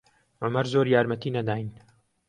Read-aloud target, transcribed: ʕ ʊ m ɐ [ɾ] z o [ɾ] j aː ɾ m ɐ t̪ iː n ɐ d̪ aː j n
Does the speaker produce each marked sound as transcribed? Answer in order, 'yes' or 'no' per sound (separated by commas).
yes, yes